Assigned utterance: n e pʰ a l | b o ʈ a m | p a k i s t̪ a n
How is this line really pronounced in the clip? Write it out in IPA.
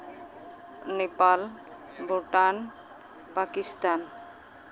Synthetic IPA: n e p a l | b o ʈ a n | p a k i s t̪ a n